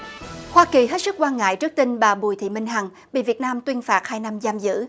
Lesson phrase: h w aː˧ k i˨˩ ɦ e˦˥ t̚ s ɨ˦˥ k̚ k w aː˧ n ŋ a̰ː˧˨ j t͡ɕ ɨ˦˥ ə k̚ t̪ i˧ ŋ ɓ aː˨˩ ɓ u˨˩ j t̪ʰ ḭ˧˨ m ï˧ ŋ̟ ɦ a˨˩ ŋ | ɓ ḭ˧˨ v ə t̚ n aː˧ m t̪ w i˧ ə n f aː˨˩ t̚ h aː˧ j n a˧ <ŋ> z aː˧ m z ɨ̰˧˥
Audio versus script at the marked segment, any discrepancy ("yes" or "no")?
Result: yes